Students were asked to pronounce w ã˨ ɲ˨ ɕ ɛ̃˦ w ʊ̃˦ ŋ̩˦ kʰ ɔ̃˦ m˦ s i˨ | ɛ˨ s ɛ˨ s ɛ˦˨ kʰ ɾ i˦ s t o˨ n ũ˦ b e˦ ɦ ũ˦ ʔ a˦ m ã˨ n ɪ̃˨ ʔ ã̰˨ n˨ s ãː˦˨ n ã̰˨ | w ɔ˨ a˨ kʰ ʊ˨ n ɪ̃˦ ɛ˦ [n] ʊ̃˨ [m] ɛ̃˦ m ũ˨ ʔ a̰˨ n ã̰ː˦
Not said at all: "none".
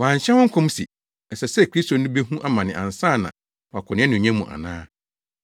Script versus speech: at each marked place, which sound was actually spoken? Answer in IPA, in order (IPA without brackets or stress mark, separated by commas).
n, ɲ